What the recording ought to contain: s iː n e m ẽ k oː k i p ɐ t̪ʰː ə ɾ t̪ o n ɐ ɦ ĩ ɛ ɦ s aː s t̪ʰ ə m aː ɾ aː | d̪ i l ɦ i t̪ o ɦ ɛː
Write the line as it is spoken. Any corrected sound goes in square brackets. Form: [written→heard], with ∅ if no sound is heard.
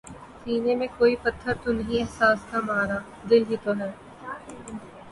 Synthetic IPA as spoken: s iː n e m ẽ k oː [k→∅] i p ɐ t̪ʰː ə ɾ t̪ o n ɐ ɦ ĩ ɛ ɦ s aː s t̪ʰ [ə→a] m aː ɾ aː | d̪ [i→ɪ] l ɦ i t̪ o ɦ ɛː